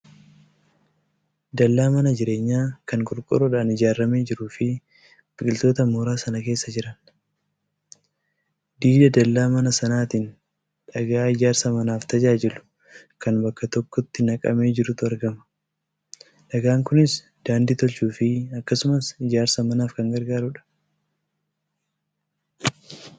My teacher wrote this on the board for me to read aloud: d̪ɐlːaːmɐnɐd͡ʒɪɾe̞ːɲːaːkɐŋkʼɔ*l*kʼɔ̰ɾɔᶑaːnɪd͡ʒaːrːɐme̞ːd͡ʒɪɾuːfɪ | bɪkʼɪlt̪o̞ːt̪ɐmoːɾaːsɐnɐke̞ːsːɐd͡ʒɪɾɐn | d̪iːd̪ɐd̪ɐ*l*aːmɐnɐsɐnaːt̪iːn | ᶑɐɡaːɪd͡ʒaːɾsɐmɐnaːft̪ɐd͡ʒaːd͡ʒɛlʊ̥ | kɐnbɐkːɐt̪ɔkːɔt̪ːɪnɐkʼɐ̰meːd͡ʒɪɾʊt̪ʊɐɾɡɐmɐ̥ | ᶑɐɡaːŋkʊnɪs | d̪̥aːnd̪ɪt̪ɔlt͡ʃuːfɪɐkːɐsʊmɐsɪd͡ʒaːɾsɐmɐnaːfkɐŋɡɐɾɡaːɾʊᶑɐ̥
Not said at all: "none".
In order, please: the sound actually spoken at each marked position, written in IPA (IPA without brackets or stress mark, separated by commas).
ɾ, lː